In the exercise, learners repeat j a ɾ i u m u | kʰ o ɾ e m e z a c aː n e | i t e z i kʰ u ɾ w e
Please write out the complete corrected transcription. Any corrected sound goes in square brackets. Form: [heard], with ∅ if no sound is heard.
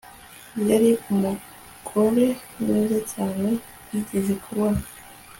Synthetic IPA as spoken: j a ɾ i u m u | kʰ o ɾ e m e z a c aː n e | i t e z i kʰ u ɾ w [a]